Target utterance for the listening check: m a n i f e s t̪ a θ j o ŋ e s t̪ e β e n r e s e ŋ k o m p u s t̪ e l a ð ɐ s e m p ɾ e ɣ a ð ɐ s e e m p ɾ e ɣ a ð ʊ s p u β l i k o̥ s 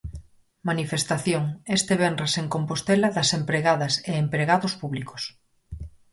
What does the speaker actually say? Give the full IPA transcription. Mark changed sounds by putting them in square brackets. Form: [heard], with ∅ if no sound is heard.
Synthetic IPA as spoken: m a n i f e s t̪ a θ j o ŋ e s t̪ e β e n r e s e ŋ k o m p [o] s t̪ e l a ð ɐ s e m p ɾ e ɣ a ð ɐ s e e m p ɾ e ɣ a ð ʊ s p u β l i k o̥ s